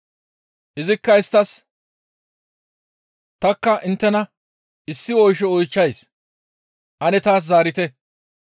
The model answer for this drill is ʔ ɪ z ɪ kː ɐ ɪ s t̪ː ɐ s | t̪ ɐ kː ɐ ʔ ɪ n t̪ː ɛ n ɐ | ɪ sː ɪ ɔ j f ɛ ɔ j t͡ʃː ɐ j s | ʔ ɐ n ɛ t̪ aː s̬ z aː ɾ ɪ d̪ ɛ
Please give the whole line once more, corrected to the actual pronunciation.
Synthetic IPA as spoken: ʔ ɪ z ɪ kː ɐ ɪ s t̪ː ɐ s | t̪ ɐ kː ɐ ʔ ɪ n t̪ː ɛ n ɐ | ɪ sː ɪ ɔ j ʃ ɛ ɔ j t͡ʃː ɐ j s | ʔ ɐ n ɛ t̪ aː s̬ z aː ɾ ɪ t̪ ɛ